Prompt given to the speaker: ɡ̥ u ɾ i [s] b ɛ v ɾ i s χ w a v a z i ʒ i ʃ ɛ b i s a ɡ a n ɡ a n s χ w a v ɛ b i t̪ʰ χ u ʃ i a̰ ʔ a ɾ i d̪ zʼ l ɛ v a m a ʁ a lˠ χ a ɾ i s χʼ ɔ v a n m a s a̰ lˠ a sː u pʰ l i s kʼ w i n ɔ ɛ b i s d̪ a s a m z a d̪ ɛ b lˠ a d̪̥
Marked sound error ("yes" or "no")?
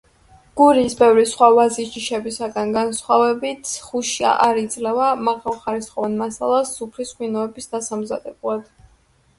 no